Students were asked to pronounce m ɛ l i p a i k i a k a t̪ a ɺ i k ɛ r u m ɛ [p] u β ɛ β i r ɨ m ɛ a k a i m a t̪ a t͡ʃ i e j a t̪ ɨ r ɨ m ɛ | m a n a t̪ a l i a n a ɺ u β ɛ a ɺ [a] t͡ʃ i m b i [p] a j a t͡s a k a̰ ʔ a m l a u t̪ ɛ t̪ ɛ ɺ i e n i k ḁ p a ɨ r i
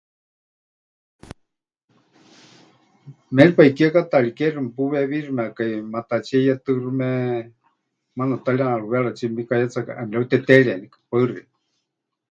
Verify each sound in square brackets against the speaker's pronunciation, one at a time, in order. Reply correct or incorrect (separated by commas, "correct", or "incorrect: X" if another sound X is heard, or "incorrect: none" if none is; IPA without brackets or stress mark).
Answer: correct, correct, incorrect: k